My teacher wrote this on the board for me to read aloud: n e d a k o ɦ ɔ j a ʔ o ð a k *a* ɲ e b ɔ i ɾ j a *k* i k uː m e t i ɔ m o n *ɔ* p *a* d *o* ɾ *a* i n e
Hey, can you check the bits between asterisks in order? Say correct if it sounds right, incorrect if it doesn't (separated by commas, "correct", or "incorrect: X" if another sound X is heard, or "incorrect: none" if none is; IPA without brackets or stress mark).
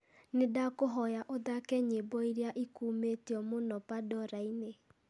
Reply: incorrect: ɛ, incorrect: ʔ, correct, correct, incorrect: ɔ, correct